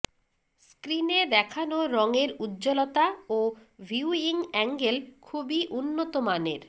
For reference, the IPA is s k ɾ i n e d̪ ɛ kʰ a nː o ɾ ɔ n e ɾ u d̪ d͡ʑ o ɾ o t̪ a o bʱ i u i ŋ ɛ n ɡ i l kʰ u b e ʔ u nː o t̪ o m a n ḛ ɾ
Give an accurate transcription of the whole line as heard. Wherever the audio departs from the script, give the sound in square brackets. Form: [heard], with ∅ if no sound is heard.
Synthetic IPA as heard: s k ɾ i n e d̪ ɛ kʰ a [n] o ɾ ɔ [ŋ] e ɾ u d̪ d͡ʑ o [l] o t̪ a o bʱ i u i ŋ ɛ [ŋ] ɡ [e] l kʰ u b [i] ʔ u nː o t̪ o m a n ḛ ɾ